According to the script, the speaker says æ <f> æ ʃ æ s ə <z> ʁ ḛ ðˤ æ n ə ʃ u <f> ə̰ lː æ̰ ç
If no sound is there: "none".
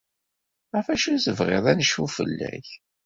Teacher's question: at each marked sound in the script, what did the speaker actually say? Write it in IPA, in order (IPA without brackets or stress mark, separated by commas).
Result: f, v, f